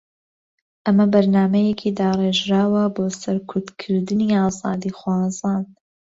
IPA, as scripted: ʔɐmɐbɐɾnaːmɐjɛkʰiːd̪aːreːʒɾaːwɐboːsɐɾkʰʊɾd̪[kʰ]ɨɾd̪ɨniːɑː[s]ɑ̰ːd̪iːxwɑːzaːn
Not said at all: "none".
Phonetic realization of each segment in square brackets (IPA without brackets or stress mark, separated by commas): kʰ, z